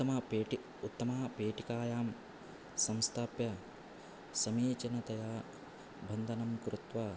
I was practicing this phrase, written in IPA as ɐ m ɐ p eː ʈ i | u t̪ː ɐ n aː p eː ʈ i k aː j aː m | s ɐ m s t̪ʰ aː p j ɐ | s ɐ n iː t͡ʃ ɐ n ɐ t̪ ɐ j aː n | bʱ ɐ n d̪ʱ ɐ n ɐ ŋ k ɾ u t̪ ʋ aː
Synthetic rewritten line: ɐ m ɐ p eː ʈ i | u t̪ː ɐ m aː p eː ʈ i k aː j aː m | s ɐ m s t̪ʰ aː p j ɐ | s ɐ m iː t͡ʃ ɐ n ɐ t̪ ɐ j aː | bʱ ɐ n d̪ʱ ɐ n ɐ m k ɾ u t̪ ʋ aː